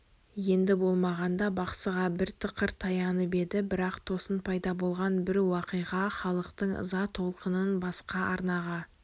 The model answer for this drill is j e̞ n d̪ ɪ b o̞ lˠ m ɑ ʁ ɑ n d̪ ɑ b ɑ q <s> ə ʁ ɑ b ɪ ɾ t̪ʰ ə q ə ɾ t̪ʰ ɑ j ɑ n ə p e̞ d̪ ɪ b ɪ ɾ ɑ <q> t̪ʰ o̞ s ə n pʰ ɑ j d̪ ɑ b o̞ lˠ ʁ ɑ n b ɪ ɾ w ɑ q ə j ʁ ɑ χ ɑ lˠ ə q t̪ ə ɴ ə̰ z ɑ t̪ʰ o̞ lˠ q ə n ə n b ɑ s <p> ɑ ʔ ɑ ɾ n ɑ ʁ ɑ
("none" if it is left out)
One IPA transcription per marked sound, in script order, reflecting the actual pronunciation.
s, q, q

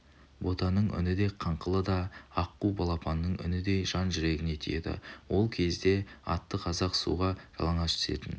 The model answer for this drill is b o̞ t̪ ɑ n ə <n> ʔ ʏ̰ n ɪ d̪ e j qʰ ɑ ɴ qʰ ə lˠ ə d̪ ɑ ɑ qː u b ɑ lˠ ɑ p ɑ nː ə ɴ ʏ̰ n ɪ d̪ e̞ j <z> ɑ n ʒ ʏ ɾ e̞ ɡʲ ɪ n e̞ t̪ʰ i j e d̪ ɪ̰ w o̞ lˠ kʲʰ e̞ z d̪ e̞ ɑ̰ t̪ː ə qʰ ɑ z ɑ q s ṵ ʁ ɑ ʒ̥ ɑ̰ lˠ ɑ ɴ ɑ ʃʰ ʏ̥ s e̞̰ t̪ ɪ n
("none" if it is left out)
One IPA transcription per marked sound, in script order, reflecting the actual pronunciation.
ɴ, ʒ

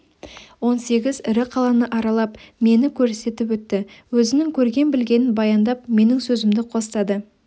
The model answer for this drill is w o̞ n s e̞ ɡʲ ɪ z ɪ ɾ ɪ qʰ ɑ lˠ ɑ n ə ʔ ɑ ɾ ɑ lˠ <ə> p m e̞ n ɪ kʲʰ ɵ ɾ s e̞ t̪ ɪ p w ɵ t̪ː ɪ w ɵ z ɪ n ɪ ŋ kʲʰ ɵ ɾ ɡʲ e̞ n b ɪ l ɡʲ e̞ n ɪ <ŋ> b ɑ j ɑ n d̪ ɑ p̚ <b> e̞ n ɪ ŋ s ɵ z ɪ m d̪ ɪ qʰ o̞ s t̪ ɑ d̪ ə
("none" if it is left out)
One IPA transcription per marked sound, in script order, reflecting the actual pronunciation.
ɑ, n, m

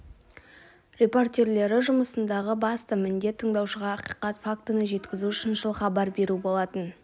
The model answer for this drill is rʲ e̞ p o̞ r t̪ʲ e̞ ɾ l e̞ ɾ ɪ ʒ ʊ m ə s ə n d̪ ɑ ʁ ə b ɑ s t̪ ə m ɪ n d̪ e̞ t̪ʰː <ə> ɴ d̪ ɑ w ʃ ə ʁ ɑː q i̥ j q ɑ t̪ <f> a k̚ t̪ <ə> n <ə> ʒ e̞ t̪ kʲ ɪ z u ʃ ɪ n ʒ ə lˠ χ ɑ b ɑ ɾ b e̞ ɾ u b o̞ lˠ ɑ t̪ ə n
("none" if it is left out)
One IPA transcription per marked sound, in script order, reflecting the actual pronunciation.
ə, f, ə, ə

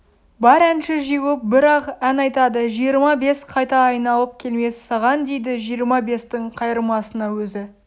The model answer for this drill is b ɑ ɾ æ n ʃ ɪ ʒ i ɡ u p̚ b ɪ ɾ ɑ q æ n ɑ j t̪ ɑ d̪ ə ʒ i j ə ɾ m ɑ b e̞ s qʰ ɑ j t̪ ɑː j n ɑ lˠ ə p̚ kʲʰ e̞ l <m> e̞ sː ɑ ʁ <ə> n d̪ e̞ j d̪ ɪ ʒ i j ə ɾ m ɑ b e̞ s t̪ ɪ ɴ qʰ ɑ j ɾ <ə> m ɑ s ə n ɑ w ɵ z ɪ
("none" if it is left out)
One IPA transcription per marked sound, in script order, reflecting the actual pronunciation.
m, ɑ, ə

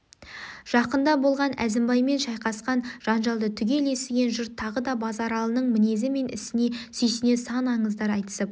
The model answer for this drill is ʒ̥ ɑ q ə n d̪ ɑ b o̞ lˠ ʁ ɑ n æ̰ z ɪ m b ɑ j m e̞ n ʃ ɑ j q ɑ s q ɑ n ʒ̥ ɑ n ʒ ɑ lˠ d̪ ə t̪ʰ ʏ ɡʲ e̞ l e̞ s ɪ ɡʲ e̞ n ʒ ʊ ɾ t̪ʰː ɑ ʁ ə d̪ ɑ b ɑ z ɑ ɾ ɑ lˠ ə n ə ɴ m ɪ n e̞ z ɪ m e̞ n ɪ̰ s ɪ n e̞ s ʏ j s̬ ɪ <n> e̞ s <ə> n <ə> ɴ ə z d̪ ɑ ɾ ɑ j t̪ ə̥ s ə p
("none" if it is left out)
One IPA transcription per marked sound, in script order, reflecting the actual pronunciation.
n, ɑ, ɑ

